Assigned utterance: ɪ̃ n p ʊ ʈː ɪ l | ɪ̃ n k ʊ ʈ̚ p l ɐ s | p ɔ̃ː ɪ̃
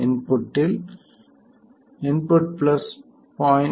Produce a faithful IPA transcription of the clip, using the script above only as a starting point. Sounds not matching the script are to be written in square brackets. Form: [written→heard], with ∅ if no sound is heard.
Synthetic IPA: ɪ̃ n p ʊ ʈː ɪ l | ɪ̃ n [k→p] ʊ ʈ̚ p l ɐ s | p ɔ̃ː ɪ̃